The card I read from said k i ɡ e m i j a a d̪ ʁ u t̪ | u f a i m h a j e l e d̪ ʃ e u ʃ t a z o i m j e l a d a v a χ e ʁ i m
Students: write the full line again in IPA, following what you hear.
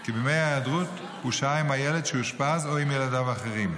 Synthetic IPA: k i b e m e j a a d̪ ʁ u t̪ | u ʃ a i m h a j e l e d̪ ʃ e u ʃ p a z o i m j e l a d a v a χ e ʁ i m